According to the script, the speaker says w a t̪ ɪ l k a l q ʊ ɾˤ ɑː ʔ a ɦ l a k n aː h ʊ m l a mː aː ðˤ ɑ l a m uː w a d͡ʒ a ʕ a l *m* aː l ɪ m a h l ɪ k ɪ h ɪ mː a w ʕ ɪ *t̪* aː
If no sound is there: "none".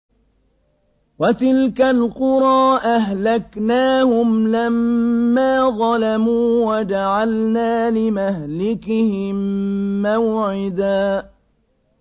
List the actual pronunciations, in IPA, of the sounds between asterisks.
n, d̪

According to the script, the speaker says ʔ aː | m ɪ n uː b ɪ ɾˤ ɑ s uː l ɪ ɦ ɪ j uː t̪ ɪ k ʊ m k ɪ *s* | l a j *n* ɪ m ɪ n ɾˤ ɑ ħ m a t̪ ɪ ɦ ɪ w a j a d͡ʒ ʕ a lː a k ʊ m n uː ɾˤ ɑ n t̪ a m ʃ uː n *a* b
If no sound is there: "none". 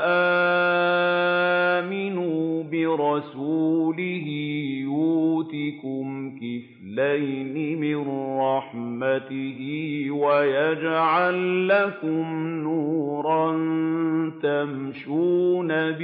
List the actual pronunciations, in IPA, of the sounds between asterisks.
f, n, a

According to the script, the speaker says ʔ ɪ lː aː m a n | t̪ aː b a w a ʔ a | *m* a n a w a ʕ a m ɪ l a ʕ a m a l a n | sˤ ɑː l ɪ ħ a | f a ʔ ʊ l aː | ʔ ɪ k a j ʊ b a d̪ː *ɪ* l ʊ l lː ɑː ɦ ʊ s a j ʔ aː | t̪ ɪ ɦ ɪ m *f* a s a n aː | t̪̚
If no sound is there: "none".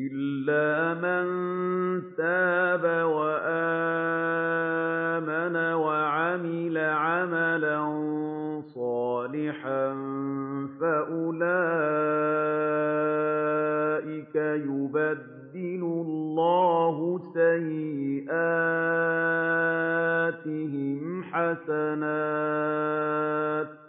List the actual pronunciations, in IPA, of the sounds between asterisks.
m, ɪ, ħ

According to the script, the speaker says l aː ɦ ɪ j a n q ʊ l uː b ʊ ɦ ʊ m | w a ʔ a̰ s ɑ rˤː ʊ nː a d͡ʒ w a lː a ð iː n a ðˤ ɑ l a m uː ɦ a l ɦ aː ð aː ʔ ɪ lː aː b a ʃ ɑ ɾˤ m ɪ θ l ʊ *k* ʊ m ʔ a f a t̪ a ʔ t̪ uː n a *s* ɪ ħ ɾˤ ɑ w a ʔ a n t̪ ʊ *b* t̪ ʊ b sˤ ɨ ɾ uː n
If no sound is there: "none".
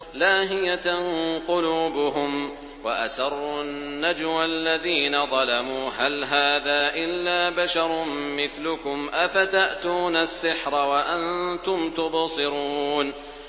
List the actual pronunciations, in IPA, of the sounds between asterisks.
k, sː, m

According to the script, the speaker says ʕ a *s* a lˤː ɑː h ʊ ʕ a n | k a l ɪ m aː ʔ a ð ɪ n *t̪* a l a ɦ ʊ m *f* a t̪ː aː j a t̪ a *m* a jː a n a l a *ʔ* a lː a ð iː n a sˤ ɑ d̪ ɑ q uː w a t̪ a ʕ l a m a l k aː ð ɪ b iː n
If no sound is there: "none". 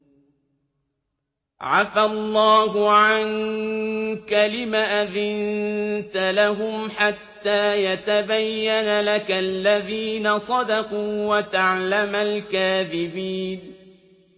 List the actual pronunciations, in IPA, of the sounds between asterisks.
f, t̪, ħ, b, k

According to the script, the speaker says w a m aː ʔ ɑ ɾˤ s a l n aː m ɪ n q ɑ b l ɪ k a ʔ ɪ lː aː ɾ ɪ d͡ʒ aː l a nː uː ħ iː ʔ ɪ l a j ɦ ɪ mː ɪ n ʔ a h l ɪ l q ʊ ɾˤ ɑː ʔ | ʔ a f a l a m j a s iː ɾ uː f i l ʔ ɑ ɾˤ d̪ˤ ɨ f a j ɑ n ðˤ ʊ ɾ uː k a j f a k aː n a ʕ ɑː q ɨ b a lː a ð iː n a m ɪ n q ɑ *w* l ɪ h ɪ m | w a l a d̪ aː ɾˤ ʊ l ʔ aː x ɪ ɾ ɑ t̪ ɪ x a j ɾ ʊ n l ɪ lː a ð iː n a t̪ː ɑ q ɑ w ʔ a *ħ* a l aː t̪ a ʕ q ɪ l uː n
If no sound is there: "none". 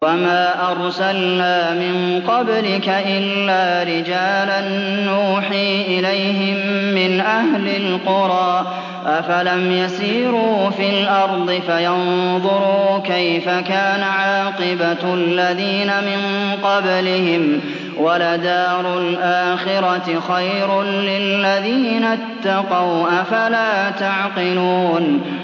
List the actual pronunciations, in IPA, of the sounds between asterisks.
b, f

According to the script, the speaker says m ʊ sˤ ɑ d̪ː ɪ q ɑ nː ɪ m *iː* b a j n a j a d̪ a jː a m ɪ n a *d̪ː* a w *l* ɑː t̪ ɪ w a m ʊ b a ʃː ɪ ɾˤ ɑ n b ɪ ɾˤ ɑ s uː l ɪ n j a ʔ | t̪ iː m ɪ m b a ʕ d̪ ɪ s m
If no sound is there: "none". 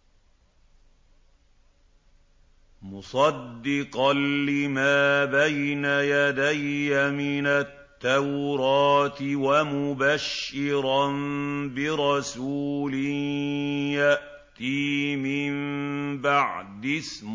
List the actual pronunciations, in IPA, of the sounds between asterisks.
aː, t̪ː, ɾ

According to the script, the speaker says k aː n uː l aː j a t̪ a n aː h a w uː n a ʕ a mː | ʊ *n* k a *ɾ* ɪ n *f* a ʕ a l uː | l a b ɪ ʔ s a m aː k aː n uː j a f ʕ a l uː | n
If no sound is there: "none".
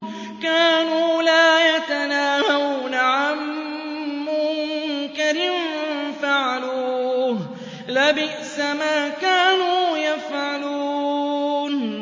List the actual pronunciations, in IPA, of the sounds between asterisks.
ŋ, ɾ, f

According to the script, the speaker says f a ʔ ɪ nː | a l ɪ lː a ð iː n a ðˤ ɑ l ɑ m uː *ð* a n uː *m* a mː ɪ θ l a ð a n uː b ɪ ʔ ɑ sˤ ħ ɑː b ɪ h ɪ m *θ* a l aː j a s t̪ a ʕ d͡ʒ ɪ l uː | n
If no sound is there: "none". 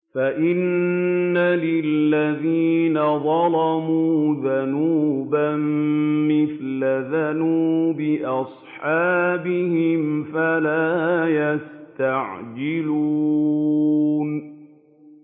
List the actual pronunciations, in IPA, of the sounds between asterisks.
ð, b, f

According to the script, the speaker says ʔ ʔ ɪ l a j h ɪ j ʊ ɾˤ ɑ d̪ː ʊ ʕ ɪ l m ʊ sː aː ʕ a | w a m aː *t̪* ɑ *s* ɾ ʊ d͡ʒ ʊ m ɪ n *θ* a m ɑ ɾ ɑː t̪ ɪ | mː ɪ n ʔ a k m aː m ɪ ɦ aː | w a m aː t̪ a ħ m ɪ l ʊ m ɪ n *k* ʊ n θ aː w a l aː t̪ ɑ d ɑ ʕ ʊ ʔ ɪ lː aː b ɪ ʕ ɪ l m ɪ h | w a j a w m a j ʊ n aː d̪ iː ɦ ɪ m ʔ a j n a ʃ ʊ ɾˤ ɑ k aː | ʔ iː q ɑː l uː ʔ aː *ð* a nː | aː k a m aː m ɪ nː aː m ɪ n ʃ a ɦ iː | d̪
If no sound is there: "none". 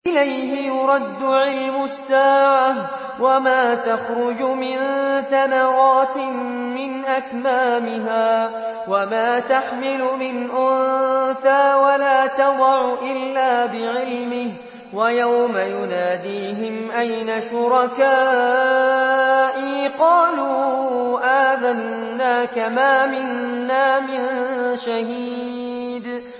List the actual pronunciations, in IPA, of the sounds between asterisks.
t̪, x, θ, ʔ, ð

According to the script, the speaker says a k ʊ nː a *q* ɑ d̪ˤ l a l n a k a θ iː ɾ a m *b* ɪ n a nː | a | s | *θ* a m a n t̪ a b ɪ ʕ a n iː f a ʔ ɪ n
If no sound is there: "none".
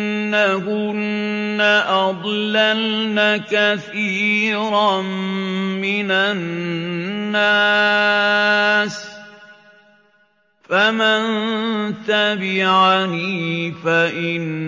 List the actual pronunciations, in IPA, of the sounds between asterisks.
ʔ, m, f

